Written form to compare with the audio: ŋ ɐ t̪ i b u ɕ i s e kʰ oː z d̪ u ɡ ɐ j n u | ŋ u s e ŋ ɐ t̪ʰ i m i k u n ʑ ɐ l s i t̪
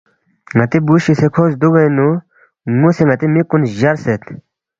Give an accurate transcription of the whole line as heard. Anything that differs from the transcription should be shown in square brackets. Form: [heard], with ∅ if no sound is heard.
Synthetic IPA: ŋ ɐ t̪ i b u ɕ i s e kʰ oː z d̪ u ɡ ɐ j n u | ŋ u s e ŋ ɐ [t̪] i m i k u n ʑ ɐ [ɾ] s [e] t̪